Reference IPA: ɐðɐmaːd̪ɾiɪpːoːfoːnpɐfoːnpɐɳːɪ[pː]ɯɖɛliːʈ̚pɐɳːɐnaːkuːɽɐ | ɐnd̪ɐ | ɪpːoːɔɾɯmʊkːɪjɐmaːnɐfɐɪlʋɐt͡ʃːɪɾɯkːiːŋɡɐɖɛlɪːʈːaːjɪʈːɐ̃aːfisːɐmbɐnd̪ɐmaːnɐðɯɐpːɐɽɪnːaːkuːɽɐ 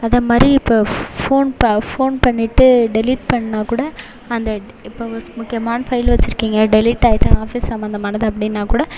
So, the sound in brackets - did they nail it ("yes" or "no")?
no